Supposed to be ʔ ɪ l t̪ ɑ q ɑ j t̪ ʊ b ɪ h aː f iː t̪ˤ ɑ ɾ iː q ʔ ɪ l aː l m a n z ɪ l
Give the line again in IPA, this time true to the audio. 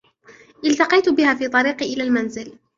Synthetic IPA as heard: ʔ ɪ l t̪ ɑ q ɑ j t̪ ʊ b ɪ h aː f iː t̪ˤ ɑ ɾ iː q ʔ ɪ l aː l m a n z ɪ l